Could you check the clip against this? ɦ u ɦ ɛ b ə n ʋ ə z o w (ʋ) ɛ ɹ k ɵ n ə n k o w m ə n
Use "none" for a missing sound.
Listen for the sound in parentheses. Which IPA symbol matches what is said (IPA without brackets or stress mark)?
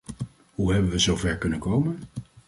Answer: v